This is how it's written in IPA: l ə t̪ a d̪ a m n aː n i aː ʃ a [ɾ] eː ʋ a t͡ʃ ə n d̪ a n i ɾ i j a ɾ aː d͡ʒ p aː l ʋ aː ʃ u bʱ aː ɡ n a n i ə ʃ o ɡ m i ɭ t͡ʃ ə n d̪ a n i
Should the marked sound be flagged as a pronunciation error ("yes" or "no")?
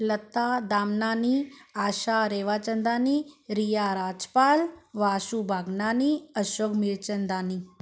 no